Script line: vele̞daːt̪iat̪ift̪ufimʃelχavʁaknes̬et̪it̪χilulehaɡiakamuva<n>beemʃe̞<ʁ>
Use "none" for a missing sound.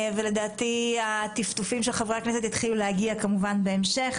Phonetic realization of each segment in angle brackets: n, χ

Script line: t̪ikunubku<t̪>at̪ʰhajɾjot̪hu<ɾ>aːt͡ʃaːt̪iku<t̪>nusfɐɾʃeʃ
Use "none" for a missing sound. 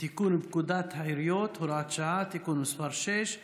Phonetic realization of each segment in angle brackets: d̪, ɾ, none

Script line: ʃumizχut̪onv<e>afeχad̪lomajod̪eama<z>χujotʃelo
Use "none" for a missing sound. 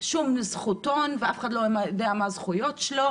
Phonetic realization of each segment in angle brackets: e, z

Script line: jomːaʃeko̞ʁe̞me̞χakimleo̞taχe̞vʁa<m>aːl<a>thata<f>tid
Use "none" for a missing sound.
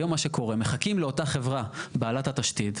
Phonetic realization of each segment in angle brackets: b, a, ʃ

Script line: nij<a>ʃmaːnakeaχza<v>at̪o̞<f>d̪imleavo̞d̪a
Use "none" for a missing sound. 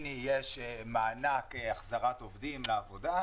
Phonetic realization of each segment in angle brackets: e, ʁ, v

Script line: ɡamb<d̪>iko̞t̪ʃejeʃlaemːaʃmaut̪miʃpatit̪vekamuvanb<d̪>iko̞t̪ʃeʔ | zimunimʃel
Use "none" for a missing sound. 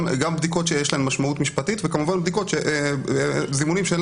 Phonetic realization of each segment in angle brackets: d̪, d̪

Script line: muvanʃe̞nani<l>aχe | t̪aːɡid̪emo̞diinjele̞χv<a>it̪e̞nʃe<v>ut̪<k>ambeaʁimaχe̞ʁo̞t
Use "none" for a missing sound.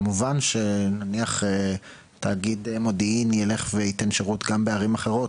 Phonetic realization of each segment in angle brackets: none, e, ʁ, ɡ

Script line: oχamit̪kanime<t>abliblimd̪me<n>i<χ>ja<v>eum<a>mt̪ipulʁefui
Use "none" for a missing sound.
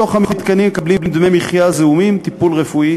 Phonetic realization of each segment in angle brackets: k, m, χ, z, i

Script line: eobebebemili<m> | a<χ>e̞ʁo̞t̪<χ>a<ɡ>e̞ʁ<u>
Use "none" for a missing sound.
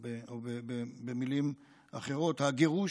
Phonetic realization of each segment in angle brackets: m, χ, h, ɡ, u

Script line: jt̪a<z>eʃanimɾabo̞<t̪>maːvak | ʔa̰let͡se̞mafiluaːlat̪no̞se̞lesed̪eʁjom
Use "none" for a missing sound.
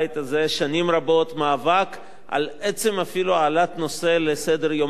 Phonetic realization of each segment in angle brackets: z, t̪

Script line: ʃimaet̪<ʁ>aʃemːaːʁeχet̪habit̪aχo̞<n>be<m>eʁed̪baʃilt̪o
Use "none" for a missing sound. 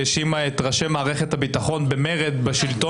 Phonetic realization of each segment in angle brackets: ʁ, n, m

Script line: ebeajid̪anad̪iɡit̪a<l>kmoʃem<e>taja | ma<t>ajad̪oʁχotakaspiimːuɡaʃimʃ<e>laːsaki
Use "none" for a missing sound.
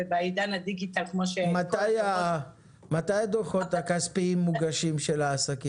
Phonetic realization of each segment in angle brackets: l, a, t, e

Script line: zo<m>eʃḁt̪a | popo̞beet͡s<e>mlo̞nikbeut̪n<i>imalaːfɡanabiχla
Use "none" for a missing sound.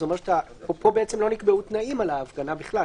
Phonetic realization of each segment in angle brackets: m, e, a

